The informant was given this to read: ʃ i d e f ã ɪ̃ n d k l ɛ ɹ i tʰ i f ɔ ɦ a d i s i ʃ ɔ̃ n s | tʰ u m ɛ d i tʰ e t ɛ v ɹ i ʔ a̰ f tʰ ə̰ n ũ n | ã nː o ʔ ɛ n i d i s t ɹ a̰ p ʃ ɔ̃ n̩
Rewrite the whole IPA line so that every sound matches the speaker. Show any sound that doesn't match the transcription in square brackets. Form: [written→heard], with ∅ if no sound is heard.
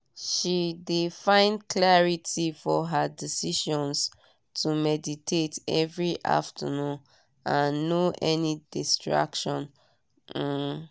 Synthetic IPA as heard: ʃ i d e f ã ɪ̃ n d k l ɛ ɹ i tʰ i f ɔ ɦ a d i s i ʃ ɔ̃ n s | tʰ u m ɛ d i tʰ e t ɛ v ɹ i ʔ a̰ f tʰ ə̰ n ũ n | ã nː o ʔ ɛ n i d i s t ɹ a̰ [p→k] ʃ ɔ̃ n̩